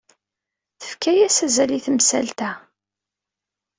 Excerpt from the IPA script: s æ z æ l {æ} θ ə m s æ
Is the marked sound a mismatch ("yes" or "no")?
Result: yes